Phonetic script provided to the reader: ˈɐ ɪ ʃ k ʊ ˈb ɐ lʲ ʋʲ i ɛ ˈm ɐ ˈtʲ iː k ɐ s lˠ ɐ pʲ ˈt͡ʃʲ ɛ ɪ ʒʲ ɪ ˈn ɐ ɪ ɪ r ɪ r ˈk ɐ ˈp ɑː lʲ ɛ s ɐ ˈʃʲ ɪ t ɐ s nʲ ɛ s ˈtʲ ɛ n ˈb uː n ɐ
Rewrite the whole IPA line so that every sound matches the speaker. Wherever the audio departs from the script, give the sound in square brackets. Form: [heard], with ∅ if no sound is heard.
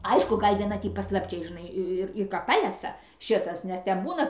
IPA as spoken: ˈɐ ɪ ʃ k ʊ [ˈɡ] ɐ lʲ ʋʲ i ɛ [ˈn] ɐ ˈtʲ iː [p] ɐ s lˠ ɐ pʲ ˈt͡ʃʲ ɛ ɪ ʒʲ ɪ ˈn ɐ ɪ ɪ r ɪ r ˈk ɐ ˈp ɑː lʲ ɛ s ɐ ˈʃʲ ɪ t ɐ s nʲ ɛ s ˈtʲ ɛ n ˈb uː n ɐ